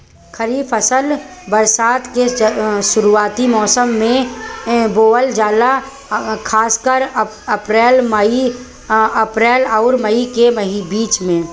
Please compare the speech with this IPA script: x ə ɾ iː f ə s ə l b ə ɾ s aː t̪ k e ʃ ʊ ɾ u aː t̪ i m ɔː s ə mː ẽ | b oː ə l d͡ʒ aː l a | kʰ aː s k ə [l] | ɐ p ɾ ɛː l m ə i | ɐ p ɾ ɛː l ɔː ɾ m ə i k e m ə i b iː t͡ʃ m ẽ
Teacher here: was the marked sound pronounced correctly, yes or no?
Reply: no